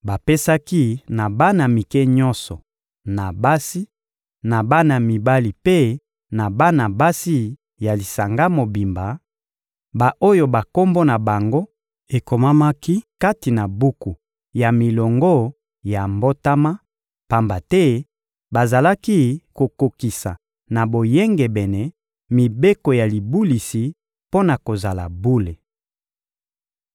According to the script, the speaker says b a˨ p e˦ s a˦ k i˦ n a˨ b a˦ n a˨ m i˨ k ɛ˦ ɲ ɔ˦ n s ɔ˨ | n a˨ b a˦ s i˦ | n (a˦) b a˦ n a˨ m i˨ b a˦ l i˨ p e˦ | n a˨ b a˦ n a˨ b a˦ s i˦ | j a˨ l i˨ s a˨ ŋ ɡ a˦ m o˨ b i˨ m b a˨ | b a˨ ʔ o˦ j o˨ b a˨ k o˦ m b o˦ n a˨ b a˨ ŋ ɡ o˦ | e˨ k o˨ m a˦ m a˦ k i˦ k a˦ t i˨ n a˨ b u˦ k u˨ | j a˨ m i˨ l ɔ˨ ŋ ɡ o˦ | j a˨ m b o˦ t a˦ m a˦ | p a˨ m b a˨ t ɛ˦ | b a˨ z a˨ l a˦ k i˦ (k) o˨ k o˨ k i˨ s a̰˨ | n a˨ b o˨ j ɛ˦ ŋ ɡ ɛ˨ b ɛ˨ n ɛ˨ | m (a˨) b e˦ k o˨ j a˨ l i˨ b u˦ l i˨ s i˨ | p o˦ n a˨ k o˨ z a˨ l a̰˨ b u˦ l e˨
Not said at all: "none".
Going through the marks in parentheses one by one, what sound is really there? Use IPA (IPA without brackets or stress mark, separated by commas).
a˨, k, i˨